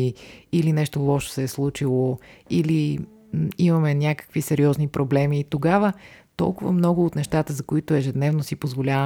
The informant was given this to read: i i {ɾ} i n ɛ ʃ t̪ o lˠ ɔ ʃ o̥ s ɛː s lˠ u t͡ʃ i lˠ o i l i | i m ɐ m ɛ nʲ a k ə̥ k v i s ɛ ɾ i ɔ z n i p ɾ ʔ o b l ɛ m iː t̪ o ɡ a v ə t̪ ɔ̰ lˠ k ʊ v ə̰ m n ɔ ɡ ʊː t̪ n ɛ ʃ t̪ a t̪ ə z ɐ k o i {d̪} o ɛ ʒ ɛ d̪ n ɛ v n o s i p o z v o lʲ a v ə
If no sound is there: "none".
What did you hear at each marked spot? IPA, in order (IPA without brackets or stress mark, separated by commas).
l, t̪